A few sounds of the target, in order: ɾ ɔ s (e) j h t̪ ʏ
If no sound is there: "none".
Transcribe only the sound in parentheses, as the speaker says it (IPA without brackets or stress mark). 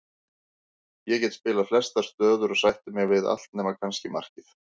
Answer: a